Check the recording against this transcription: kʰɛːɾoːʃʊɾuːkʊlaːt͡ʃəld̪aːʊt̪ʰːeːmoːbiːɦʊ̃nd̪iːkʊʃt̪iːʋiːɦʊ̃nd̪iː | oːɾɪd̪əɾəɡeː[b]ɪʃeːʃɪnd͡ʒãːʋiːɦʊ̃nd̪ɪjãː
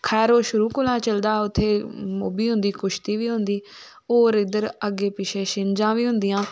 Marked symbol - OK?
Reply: no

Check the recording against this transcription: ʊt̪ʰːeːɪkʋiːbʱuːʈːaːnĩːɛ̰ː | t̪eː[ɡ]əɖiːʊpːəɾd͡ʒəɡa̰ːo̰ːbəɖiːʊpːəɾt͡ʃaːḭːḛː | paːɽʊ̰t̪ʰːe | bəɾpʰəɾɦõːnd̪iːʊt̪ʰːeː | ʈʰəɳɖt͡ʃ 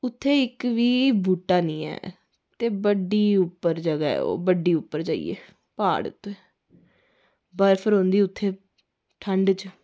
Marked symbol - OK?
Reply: no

